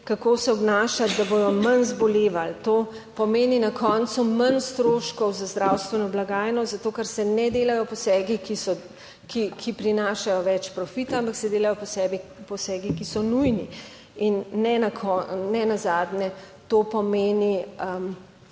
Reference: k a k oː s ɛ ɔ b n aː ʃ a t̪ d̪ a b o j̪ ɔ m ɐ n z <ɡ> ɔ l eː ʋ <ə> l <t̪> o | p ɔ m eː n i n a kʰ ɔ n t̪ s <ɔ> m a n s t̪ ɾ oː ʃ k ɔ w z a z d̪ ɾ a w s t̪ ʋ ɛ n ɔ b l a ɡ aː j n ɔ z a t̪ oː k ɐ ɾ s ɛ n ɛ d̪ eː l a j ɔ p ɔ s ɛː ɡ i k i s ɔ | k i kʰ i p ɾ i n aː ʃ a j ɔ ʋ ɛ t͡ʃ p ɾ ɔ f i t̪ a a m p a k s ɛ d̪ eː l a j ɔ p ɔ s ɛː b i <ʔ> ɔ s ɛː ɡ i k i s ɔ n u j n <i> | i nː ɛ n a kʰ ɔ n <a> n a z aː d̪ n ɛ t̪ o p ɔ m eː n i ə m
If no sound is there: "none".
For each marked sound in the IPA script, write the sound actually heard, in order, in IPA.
b, a, t̪, u, p, i, ɛ

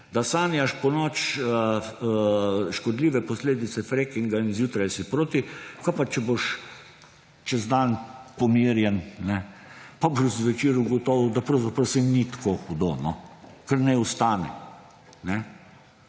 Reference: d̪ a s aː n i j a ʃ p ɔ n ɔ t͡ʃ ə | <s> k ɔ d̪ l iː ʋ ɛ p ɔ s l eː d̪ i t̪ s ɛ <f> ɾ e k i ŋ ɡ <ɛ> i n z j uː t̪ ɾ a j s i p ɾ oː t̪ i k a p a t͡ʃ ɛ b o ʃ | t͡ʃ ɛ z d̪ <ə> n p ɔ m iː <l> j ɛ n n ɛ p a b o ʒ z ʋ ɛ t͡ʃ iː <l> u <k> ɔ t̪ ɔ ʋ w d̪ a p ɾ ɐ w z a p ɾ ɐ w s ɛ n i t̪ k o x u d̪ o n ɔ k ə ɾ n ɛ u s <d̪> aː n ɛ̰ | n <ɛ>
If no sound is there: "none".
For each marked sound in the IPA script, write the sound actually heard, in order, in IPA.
ʃ, f, a, a, ɾ, ɾ, ɡ, t̪, ɛ

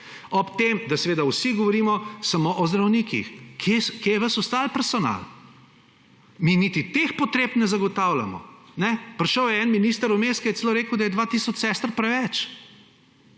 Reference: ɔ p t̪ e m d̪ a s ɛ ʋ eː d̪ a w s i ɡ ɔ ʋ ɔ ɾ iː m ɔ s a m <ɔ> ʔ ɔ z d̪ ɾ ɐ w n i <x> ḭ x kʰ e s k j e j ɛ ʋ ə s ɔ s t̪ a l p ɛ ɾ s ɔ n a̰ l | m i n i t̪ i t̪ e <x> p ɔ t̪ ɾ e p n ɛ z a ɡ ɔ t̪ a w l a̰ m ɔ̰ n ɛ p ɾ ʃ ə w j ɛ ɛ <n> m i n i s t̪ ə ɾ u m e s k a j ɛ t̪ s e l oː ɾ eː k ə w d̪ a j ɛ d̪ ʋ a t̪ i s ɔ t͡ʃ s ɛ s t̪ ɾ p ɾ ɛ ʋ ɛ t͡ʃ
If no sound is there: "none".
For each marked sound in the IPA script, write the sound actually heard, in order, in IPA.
o, k, x, n

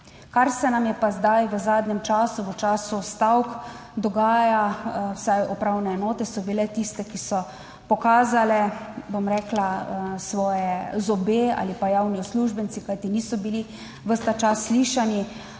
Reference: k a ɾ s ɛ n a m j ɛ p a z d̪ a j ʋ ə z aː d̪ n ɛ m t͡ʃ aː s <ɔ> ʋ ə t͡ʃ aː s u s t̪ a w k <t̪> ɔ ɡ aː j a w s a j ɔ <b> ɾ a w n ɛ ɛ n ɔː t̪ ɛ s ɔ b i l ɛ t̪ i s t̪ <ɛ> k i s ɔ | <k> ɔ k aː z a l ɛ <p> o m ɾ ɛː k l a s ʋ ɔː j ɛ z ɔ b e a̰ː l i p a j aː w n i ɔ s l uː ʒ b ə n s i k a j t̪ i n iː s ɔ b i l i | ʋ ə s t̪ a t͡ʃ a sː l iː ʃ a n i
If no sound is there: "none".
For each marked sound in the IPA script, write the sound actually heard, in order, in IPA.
u, d̪, p, ɛ, p, b

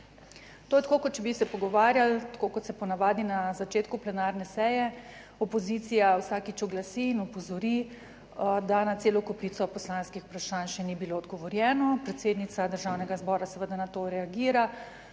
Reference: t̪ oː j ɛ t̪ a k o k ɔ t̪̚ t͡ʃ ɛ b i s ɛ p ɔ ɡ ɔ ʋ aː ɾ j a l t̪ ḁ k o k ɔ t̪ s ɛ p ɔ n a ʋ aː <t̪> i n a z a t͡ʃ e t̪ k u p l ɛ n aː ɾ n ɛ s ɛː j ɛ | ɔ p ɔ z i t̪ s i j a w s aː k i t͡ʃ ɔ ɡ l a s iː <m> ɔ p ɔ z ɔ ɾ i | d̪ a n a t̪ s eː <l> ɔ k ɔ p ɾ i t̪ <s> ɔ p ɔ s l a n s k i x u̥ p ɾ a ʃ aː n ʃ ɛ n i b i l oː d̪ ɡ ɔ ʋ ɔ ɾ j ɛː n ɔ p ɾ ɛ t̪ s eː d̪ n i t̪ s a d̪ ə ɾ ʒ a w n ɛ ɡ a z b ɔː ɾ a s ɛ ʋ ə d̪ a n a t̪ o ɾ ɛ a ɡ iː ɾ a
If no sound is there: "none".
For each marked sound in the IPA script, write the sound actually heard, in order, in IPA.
d̪, n, l, s

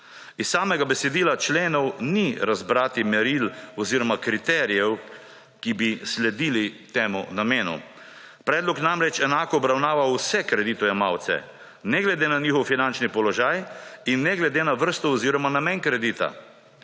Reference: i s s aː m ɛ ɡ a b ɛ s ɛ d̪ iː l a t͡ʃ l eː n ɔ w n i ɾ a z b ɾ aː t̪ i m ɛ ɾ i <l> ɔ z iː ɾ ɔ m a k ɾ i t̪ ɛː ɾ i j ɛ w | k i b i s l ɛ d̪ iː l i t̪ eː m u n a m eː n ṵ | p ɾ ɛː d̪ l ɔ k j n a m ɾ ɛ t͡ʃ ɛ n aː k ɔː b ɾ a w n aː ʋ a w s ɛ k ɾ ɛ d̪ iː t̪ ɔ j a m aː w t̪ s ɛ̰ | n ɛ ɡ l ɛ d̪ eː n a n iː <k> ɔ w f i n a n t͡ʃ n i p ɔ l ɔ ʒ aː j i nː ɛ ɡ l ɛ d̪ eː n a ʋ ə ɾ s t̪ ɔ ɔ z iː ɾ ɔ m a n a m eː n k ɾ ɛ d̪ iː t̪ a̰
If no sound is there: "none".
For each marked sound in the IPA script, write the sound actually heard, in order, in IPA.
l, x

